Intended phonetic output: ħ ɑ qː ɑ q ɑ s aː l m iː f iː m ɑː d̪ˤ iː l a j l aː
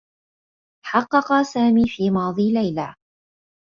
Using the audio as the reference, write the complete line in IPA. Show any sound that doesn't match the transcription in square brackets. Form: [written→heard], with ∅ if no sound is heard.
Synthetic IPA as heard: ħ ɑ qː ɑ q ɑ s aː [l→∅] m iː f iː m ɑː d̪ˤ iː l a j l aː

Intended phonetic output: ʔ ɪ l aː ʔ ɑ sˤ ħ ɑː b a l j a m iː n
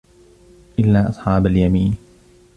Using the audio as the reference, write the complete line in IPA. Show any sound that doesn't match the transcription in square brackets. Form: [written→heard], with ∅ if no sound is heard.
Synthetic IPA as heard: ʔ ɪ [l→lː] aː ʔ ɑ sˤ ħ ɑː b a l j a m iː n

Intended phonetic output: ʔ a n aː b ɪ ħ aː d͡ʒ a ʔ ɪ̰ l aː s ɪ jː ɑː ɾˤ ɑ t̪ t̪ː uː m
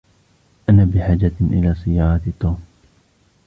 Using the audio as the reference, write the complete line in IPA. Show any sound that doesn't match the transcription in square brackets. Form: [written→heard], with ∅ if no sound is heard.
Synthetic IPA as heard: ʔ a n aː b ɪ ħ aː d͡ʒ a ʔ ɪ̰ l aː s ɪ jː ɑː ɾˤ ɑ t̪ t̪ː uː m

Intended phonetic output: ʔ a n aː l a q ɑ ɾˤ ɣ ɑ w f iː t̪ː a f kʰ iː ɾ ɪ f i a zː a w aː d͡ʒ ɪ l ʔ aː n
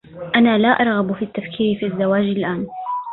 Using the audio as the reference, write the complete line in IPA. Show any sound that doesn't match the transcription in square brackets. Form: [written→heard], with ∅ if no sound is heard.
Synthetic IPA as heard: ʔ a n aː l a [q→ʔ] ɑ ɾˤ ɣ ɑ [w→b] f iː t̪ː a f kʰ iː ɾ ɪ f i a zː a w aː d͡ʒ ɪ l ʔ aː n

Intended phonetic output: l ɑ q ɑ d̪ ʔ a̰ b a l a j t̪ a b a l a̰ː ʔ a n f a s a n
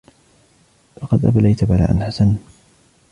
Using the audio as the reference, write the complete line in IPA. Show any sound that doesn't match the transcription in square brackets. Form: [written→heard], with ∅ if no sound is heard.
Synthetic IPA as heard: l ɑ q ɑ d̪ ʔ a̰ b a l a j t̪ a b a l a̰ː ʔ a n [f→ħ] a s a n

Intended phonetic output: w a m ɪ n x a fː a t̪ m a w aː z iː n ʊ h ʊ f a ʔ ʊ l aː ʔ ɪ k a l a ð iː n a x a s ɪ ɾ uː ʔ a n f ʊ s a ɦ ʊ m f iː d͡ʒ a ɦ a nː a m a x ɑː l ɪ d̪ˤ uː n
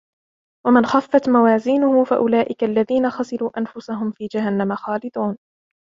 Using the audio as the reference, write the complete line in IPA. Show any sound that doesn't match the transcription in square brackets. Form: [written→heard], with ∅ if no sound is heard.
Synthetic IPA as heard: w a m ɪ n x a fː a t̪ m a w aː z iː n ʊ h ʊ f a ʔ ʊ l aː ʔ ɪ k a [l→lː] a ð iː n a x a s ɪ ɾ uː ʔ a n f ʊ s a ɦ ʊ m f iː d͡ʒ a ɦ a nː a m a x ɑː l ɪ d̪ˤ uː n

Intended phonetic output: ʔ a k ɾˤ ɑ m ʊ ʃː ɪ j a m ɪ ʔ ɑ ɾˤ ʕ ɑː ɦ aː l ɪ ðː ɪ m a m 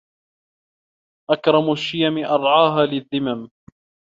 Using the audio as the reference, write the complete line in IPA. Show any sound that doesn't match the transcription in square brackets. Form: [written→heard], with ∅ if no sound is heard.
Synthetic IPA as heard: ʔ a k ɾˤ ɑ m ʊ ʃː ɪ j a m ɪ ʔ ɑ ɾˤ ʕ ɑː ɦ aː l ɪ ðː ɪ m a m

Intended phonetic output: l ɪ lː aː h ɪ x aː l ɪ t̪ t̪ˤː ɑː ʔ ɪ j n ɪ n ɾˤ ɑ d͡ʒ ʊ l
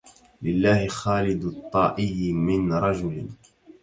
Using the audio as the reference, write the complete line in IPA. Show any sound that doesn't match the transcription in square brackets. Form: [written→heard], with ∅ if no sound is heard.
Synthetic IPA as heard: l ɪ lː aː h ɪ x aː l ɪ [t̪→d̪] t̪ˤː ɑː ʔ ɪ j [n→m] ɪ n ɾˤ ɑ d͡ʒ ʊ l

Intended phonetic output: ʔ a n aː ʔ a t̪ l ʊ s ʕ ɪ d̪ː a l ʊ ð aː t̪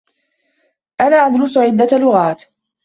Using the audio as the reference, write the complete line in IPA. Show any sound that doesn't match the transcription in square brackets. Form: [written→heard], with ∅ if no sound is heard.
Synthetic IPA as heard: ʔ a n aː ʔ a [t̪→d̪] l ʊ s ʕ ɪ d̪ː a l ʊ [ð→ɣ] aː t̪

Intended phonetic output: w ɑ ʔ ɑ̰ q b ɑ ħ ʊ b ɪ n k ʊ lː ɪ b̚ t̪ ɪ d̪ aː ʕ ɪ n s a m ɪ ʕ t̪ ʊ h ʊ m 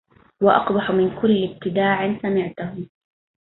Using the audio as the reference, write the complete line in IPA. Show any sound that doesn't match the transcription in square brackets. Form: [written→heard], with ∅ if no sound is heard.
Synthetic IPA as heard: w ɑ ʔ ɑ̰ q b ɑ ħ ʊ [b→m] ɪ n k ʊ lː ɪ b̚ t̪ ɪ d̪ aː ʕ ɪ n s a m ɪ ʕ t̪ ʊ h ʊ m

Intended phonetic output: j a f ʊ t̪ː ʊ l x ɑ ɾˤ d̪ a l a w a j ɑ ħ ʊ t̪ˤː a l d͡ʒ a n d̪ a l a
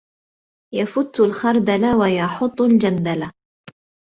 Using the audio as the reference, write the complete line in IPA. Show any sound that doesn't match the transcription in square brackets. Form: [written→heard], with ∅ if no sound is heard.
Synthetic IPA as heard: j a f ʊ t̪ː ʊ l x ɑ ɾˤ d̪ a l a w a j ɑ ħ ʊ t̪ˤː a l d͡ʒ a n d̪ a l a

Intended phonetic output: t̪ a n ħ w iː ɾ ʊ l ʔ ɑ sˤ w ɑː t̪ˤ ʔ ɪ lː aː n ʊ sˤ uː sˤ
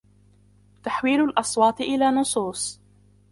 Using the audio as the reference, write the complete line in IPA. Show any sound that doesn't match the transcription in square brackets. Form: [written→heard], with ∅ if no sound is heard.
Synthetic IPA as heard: t̪ a [n→∅] ħ w iː [ɾ→l] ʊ l ʔ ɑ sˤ w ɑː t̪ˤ ʔ ɪ [lː→l] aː n ʊ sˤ uː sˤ

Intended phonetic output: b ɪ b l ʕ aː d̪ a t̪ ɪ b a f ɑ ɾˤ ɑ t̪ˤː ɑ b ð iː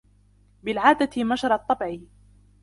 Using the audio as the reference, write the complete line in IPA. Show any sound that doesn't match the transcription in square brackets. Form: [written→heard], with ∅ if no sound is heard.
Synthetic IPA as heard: b ɪ [b→∅] l ʕ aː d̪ a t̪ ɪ [b→m] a [f→ʃ] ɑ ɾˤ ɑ t̪ˤː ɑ b [ð→ʕ] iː

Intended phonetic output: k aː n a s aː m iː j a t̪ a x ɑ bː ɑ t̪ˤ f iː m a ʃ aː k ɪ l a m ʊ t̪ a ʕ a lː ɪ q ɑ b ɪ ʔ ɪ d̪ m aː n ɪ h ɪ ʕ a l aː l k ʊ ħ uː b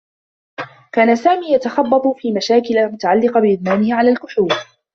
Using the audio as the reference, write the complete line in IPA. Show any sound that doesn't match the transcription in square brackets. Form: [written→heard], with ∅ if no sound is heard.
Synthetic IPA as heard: k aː n a s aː m iː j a t̪ a x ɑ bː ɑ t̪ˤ f iː m a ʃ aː k ɪ l a m ʊ t̪ a ʕ a lː ɪ q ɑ b ɪ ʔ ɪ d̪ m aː n ɪ h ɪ ʕ a l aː l k ʊ ħ uː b

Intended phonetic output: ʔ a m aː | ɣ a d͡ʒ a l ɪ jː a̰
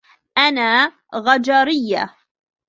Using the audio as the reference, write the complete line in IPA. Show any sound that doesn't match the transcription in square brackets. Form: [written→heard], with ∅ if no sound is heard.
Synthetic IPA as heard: ʔ a [m→n] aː | ɣ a d͡ʒ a [l→ɾ] ɪ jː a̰

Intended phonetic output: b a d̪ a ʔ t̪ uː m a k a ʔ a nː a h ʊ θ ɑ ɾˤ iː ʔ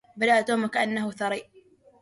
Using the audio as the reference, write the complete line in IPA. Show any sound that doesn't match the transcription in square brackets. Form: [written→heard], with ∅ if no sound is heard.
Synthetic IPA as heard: b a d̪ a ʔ t̪ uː m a k a ʔ a nː a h ʊ θ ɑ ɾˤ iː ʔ

